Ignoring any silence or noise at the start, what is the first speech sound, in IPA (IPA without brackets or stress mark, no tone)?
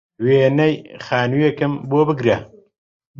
w